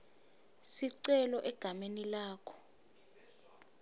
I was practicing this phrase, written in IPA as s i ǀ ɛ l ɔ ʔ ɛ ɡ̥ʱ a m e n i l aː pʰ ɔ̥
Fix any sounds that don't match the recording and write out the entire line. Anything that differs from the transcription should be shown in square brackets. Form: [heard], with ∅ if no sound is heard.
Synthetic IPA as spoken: s i ǀ ɛ l ɔ ʔ ɛ ɡ̥ʱ a m e n i l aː [kʰ] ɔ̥